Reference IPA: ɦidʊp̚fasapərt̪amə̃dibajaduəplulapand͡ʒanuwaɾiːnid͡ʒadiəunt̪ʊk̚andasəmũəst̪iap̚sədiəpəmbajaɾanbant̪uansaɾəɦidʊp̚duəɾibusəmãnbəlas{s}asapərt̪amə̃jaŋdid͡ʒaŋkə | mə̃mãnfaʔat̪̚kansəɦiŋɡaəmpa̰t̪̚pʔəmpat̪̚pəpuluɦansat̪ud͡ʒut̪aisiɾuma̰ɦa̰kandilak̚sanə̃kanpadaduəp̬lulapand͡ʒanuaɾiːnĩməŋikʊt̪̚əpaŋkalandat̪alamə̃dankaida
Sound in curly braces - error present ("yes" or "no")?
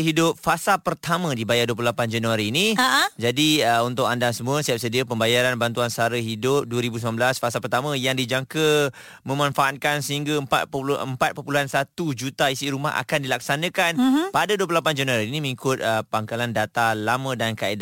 yes